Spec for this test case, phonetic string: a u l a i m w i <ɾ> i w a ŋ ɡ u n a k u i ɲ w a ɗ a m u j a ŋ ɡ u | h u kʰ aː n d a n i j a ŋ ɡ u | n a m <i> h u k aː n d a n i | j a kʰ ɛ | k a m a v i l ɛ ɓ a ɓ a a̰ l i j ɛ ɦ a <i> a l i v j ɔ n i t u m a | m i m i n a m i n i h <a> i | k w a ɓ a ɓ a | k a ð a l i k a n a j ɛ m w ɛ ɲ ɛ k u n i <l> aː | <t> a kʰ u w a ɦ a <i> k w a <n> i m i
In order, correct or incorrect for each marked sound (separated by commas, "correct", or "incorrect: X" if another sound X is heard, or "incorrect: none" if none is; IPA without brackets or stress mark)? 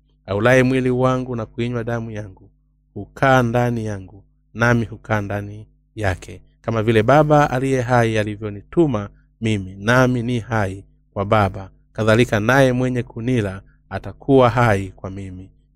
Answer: incorrect: l, correct, correct, correct, correct, correct, correct, incorrect: m